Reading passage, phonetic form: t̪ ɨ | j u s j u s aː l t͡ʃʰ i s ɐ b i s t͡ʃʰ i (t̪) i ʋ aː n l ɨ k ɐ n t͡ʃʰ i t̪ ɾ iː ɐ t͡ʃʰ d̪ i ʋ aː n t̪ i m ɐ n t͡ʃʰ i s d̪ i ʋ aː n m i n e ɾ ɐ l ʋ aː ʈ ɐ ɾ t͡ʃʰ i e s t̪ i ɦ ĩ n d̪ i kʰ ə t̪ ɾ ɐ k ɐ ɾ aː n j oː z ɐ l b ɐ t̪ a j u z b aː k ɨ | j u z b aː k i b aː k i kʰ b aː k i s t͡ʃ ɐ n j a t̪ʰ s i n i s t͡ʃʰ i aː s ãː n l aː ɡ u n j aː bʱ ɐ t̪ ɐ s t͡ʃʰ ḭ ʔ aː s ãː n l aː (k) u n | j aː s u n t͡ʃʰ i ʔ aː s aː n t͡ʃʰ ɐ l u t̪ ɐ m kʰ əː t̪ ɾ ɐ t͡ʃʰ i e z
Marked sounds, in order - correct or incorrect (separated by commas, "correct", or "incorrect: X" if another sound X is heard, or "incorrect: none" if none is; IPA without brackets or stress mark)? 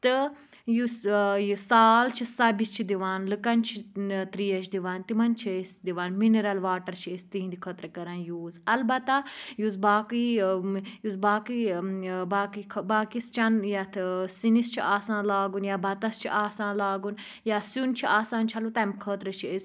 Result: incorrect: d̪, incorrect: ɡ